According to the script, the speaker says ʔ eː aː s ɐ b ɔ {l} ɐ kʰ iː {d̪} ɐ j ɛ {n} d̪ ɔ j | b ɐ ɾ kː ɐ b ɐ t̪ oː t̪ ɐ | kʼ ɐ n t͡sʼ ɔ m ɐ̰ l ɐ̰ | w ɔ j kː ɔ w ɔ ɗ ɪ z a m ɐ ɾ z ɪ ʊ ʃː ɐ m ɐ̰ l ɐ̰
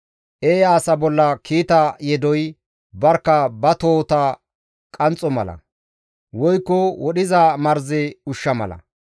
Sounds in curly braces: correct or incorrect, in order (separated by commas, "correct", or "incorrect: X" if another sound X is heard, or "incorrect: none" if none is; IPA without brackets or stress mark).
incorrect: lː, incorrect: t̪, incorrect: none